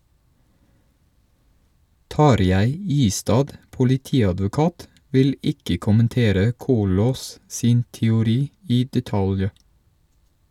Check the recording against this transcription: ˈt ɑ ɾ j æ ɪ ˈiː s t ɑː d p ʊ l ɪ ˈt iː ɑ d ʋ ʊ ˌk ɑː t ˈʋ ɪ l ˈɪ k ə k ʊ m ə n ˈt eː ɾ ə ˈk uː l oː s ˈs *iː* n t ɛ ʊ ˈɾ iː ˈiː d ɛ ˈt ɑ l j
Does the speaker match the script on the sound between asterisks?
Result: yes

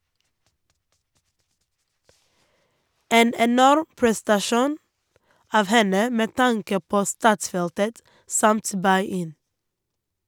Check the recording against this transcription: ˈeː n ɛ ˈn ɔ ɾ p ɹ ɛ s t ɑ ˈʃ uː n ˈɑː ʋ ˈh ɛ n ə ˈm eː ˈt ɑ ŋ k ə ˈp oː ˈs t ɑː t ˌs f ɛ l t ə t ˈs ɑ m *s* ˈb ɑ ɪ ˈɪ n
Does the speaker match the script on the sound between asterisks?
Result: no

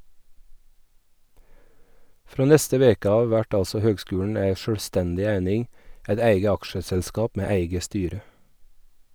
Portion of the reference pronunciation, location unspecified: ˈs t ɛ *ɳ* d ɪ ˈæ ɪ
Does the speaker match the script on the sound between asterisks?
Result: no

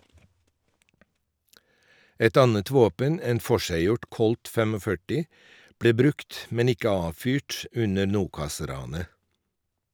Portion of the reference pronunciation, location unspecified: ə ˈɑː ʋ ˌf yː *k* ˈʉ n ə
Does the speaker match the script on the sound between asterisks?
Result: no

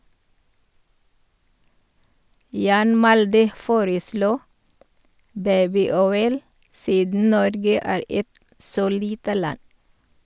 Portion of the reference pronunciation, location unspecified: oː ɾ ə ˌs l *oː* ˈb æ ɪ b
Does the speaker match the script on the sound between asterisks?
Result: no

